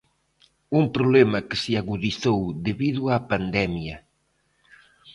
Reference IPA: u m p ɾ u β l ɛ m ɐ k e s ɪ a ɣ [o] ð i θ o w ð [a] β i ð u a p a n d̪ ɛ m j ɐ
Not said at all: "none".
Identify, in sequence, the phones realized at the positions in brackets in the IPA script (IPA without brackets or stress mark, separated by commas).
u, e